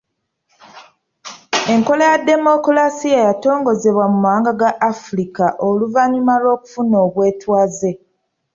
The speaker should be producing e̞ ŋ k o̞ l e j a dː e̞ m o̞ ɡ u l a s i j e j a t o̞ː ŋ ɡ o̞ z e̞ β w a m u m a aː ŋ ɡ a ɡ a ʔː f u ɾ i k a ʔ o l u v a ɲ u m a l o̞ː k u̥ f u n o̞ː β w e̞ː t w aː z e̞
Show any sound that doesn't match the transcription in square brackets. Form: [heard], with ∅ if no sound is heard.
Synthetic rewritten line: e̞ ŋ k o̞ l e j a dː e̞ m o̞ [k] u l a s i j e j a t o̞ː ŋ ɡ o̞ z e̞ β w a m u m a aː ŋ ɡ a ɡ a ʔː f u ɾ i k a ʔ o l u v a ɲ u m a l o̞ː k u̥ f u n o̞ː β w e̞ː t w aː z e̞